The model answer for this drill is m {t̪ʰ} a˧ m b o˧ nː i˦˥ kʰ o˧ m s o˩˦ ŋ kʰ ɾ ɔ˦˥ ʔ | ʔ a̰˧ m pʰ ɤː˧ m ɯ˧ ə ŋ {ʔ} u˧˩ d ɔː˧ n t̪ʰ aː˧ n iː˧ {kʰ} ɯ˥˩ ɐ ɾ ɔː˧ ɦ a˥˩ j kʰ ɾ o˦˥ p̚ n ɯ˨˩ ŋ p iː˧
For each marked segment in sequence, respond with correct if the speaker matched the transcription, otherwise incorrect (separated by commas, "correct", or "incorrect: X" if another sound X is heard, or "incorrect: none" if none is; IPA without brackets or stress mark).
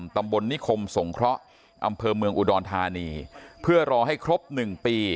incorrect: t̪, correct, incorrect: pʰ